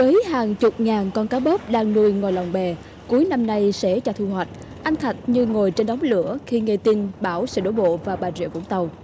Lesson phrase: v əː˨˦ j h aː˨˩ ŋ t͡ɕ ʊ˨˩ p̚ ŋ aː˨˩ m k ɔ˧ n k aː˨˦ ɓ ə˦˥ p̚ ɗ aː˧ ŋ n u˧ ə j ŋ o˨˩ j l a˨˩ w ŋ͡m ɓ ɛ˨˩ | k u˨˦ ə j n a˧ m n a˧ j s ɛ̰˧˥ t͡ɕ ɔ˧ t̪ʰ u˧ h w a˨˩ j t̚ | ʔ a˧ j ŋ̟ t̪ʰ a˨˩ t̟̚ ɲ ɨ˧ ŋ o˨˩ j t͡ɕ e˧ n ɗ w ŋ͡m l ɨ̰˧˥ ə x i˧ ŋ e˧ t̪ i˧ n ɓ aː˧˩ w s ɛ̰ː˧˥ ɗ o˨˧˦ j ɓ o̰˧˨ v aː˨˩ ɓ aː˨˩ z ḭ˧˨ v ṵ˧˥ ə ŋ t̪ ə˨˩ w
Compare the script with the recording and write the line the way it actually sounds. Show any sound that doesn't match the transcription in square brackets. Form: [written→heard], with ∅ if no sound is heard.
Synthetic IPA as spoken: v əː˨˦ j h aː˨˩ ŋ t͡ɕ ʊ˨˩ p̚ ŋ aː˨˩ [m→n] k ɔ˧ n k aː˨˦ ɓ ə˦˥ p̚ ɗ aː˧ ŋ n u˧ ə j ŋ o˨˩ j l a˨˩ w ŋ͡m ɓ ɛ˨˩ | k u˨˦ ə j n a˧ m n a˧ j s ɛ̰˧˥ t͡ɕ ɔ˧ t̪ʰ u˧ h w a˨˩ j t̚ | ʔ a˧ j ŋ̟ t̪ʰ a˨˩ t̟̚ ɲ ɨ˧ ŋ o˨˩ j t͡ɕ e˧ n ɗ w ŋ͡m l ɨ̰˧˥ ə x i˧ ŋ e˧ t̪ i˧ n ɓ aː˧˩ w s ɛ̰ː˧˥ ɗ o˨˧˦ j ɓ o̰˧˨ v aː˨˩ ɓ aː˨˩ z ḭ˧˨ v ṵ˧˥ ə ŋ t̪ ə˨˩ w

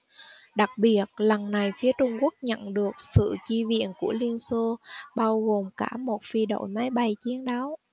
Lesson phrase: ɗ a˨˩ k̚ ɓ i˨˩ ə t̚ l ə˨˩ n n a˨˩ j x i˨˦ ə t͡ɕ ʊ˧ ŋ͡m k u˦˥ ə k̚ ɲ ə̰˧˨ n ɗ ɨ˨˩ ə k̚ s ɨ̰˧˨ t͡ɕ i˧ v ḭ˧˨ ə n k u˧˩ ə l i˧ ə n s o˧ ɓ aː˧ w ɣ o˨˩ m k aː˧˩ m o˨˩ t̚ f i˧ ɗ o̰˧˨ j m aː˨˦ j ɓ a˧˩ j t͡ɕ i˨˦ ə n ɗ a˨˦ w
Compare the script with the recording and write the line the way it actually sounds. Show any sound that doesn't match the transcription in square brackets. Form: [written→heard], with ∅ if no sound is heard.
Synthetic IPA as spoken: ɗ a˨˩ k̚ ɓ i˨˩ ə t̚ l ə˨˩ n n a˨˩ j [x→f] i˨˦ ə t͡ɕ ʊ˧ ŋ͡m k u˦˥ ə k̚ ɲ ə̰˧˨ n ɗ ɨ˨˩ ə k̚ s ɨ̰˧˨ t͡ɕ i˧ v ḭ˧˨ ə n k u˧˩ ə l i˧ ə n s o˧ ɓ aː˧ w ɣ o˨˩ m k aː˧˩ m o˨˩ t̚ f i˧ ɗ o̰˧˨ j m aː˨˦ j ɓ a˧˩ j t͡ɕ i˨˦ ə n ɗ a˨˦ w

